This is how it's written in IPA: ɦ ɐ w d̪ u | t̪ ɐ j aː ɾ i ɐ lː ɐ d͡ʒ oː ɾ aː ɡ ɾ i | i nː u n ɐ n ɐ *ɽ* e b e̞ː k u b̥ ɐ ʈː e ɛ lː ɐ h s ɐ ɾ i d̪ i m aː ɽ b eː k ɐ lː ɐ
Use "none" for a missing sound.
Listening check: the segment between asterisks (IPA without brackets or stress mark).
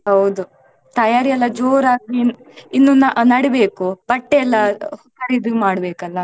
ɽ